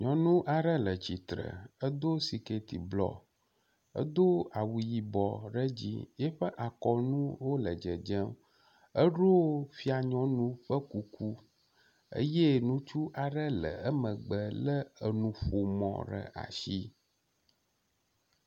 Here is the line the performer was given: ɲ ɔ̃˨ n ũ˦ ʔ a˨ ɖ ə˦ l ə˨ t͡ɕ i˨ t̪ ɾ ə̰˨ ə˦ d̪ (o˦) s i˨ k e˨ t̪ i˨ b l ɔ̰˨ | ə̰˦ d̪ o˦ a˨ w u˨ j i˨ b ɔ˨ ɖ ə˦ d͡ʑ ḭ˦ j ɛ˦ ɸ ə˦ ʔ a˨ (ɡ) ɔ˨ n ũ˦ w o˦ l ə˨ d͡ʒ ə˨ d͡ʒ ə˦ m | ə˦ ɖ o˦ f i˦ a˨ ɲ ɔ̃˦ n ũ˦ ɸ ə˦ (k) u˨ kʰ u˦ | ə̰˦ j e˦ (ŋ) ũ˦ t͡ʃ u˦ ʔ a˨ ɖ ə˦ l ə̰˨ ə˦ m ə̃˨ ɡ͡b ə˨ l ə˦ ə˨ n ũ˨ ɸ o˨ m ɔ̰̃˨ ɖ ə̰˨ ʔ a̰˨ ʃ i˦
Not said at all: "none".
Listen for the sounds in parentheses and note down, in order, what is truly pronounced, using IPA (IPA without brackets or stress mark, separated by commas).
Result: o˦, k, k, n